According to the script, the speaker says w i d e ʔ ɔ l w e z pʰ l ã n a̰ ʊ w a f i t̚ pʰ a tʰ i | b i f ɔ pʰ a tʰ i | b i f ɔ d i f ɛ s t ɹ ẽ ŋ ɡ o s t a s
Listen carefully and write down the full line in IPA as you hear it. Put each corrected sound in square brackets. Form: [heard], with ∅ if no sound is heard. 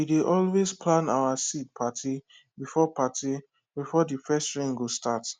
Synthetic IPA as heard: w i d e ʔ ɔ l w e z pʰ l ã n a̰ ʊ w a [s] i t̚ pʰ a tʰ i | b i f ɔ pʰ a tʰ i | b i f ɔ d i f ɛ s t ɹ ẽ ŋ ɡ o s t a [t]